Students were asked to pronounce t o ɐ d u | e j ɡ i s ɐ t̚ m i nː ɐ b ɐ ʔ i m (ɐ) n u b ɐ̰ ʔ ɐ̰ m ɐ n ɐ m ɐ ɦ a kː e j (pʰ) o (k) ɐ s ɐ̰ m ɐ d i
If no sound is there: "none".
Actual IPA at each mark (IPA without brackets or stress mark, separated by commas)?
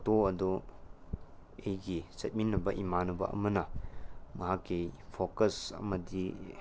a, pʰ, k